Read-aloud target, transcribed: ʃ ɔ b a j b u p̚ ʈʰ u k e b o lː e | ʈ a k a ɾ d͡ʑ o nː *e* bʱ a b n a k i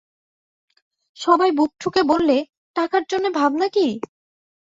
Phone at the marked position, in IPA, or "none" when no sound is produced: e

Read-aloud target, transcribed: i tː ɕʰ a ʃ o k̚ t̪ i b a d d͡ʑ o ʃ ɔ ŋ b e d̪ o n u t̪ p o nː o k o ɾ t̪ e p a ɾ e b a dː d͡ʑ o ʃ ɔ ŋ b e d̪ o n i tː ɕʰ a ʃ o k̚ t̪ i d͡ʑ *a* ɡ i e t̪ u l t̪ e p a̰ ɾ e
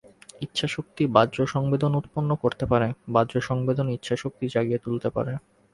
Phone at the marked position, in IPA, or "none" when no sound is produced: a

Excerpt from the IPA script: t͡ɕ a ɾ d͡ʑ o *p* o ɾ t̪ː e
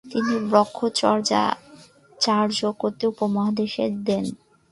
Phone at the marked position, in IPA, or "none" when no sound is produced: k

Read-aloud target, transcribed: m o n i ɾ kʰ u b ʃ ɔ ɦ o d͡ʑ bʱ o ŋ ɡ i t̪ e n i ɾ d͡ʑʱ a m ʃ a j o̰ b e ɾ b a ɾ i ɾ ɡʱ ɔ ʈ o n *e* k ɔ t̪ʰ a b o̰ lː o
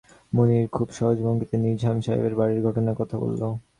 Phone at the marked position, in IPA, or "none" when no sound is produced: a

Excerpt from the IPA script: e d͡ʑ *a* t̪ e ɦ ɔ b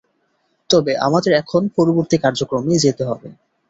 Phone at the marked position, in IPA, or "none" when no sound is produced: e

